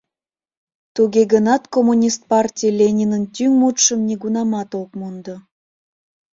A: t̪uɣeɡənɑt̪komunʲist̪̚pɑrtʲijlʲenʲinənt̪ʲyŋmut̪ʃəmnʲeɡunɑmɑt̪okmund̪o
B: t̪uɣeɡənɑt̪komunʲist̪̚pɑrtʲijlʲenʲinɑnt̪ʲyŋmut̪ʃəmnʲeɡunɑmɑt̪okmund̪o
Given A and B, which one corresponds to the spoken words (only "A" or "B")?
A